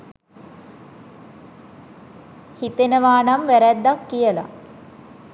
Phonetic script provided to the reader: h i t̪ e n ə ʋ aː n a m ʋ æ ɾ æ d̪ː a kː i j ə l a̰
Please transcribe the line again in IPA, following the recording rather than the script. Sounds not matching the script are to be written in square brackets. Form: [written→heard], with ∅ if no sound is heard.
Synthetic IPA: h i t̪ e n ə ʋ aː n a m ʋ æ ɾ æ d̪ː a kː i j ə l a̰